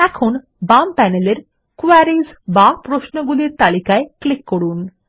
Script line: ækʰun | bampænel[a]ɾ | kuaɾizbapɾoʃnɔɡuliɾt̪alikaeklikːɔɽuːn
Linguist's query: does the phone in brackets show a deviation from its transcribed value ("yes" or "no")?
yes